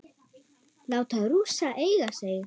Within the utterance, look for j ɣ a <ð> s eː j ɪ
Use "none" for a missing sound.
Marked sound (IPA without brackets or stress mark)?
none